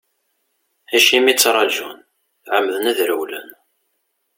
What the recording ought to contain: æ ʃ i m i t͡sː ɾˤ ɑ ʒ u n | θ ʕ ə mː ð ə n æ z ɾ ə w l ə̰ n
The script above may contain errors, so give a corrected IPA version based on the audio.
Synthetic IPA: æ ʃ i m i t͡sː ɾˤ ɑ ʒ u n | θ ʕ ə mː ð ə n æ ð ɾ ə w l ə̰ n